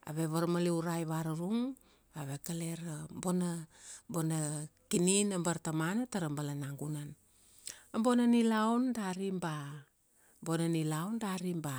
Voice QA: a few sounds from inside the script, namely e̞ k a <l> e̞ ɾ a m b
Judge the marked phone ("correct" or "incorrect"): correct